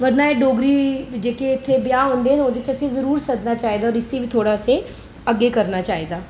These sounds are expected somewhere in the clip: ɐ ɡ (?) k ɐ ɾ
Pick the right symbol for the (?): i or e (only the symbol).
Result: e